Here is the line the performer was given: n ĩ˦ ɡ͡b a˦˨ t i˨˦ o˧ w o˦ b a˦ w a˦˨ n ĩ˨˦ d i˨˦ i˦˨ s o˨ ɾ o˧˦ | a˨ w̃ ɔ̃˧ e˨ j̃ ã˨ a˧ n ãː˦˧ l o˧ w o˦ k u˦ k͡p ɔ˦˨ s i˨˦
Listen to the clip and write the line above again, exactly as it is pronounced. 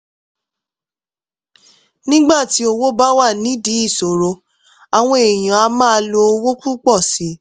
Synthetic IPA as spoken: n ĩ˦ ɡ͡b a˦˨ t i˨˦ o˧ w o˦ b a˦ w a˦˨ n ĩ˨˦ d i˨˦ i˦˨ s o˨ ɾ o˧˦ | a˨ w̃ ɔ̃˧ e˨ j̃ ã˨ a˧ m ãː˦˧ l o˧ w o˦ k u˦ k͡p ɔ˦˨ s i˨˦

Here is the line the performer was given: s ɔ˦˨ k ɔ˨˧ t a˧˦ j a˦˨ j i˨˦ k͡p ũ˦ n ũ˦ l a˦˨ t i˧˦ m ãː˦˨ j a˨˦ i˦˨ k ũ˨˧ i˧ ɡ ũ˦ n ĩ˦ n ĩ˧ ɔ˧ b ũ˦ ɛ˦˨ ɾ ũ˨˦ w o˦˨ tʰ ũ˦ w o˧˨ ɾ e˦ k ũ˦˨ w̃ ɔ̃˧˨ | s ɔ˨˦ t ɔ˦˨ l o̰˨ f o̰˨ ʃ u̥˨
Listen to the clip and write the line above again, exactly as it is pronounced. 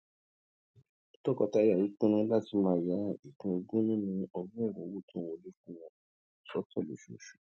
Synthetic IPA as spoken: t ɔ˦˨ k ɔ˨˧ t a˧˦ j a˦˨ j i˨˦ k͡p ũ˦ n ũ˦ l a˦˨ t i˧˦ m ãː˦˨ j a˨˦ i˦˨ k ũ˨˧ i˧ ɡ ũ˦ n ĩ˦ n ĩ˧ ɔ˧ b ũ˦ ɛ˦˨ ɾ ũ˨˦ w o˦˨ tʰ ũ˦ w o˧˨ l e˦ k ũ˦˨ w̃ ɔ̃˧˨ | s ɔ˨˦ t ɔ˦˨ l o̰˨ ʃ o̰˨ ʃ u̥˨

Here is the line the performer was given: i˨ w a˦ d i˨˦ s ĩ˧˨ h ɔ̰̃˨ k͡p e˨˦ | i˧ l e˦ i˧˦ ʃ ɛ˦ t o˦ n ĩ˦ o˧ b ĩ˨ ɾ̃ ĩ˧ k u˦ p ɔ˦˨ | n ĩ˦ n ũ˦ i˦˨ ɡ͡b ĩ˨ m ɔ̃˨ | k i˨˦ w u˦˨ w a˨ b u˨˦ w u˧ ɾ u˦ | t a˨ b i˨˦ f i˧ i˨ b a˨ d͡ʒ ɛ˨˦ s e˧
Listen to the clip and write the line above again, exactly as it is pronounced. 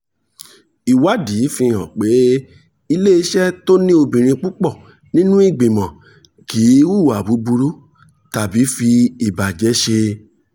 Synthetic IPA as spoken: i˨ w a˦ d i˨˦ f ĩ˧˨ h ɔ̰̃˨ k͡p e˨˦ | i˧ l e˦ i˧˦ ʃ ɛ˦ t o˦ n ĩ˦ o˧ b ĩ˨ ɾ̃ ĩ˧ k͡p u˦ k͡p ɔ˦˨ | n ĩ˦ n ũ˦ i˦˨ ɡ͡b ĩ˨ m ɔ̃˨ | k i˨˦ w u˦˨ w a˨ b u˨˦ b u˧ ɾ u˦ | t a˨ b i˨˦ f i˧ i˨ b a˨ d͡ʒ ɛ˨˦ ʃ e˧

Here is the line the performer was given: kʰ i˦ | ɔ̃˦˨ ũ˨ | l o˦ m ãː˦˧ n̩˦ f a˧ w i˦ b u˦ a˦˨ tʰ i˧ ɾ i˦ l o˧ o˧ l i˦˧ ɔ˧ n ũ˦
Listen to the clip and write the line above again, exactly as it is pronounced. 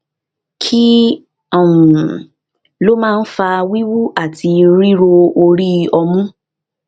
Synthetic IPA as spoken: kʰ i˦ | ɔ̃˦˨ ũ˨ | l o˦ m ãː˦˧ n̩˦ f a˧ w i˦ w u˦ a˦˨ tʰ i˧ ɾ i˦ ɾ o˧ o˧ ɾ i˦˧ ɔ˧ m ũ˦

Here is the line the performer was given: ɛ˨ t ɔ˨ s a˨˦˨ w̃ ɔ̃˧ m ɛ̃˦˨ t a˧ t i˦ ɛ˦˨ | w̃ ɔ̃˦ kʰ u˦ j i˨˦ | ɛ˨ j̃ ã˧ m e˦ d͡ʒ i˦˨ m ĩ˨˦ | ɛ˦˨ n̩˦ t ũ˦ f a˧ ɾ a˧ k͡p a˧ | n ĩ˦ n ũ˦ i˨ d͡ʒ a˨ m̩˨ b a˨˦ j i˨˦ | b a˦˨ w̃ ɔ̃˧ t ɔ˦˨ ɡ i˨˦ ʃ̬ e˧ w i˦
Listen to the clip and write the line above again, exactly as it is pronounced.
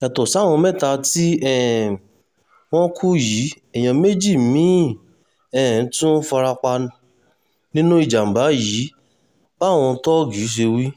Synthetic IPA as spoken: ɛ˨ t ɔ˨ s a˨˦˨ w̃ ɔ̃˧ m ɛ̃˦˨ t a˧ t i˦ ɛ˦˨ | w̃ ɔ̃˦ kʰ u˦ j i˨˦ | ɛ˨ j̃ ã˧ m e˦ d͡ʒ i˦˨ m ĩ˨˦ | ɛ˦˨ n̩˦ t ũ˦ f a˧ ɾ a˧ k͡p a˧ | n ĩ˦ n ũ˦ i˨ d͡ʒ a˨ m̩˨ b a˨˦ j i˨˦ | b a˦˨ w̃ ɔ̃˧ t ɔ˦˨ ɡ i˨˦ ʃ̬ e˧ w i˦

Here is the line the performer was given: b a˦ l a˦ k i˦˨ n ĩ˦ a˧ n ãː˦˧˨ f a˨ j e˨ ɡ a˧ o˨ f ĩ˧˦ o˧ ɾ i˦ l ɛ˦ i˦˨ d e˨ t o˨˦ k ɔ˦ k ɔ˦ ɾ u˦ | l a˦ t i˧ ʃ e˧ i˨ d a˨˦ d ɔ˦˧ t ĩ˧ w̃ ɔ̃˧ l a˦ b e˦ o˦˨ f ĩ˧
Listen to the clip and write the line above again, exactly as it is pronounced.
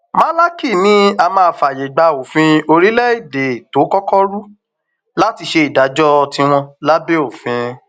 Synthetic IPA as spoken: m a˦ l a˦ k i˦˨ n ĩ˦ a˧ m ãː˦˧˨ f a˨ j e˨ ɡ͡b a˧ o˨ f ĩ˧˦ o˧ ɾ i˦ l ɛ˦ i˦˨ d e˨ t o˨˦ k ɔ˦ k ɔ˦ ɾ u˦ | l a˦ t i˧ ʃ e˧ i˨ d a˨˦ d͡ʒ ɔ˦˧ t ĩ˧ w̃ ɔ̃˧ l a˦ b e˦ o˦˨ f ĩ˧

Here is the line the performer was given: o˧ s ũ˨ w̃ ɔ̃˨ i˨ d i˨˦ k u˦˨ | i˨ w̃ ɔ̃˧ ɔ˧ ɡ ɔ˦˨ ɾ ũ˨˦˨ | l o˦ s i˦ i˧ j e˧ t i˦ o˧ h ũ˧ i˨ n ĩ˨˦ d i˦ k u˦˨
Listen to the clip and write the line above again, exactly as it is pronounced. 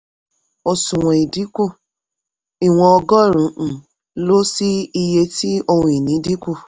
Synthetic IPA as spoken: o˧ s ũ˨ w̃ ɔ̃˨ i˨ d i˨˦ k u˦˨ | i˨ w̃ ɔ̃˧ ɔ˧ ɡ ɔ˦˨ ɾ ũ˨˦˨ | l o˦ s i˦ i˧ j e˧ t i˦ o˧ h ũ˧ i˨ n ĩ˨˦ d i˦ k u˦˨

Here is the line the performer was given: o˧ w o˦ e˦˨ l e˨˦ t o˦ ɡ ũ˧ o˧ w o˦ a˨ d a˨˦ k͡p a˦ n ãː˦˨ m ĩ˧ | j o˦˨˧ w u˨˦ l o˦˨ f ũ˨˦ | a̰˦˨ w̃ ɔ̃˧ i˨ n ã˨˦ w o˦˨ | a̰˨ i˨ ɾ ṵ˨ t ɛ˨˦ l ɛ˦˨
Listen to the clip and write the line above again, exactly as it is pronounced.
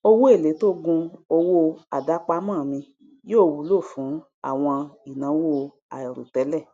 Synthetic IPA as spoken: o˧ w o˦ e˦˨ l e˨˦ t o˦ ɡ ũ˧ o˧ w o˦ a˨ d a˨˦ k͡p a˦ m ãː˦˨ m ĩ˧ | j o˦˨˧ w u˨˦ l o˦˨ f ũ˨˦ | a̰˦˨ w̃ ɔ̃˧ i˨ n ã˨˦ w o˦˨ | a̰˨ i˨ ɾ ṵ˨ t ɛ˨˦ l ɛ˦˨

